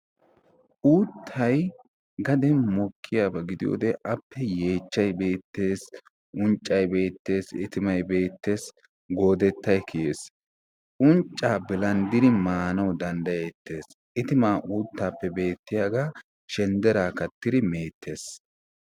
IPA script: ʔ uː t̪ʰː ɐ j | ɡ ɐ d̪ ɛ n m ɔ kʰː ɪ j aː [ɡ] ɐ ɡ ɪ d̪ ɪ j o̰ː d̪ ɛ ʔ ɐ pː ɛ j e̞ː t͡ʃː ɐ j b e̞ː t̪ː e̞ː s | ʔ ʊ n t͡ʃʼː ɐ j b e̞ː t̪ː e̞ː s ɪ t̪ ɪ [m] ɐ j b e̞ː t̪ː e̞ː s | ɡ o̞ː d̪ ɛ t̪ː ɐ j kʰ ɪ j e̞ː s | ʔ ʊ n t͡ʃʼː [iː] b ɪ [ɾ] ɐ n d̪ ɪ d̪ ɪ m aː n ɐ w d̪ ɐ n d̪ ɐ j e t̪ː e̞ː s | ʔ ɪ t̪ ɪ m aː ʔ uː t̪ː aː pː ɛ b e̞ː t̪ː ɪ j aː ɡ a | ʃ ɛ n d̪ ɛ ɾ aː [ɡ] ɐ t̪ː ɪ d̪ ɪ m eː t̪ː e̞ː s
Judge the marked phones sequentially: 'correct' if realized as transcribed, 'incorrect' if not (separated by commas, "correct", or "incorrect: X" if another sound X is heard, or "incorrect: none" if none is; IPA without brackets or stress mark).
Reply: incorrect: b, correct, incorrect: aː, incorrect: l, incorrect: k